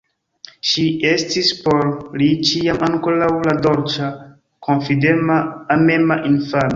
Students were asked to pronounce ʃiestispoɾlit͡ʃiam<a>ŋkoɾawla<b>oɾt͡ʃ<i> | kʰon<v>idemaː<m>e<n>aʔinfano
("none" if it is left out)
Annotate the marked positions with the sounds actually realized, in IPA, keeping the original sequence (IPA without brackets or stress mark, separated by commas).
a, d, a, f, m, m